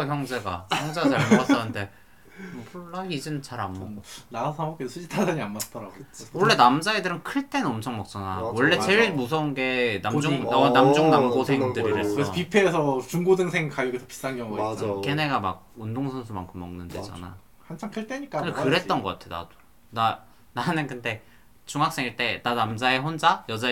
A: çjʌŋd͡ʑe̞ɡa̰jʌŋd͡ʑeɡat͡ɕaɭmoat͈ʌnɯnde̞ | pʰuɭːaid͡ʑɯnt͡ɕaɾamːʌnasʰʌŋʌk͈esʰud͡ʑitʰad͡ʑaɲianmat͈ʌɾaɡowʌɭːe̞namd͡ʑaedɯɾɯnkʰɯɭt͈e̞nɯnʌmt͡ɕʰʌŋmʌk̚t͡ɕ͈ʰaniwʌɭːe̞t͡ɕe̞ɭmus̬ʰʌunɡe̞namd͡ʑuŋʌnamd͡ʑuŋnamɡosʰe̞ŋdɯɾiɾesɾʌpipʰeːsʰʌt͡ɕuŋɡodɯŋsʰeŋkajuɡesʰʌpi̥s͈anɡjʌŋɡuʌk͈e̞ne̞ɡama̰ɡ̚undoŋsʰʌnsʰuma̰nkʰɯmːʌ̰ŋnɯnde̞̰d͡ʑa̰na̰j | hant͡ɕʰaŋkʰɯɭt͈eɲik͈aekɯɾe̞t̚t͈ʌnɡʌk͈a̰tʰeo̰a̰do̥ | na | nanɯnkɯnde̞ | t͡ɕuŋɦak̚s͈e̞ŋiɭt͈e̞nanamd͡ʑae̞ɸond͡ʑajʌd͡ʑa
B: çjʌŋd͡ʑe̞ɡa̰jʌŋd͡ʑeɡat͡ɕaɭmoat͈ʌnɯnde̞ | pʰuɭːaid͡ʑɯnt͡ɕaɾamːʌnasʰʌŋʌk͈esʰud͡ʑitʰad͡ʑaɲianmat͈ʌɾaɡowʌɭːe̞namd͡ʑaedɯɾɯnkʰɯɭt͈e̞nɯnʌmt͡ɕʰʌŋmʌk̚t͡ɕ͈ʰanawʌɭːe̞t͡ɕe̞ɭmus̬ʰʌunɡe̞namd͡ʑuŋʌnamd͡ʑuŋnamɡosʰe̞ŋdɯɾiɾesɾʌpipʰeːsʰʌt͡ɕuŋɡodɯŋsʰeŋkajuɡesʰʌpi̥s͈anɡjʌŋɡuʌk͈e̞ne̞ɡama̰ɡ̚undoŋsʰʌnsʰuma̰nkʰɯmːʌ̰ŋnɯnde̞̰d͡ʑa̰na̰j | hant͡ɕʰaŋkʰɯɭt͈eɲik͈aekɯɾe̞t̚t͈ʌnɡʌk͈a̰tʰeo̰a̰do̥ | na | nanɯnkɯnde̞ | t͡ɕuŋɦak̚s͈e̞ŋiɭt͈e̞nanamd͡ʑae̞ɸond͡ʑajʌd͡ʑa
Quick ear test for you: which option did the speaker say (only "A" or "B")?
B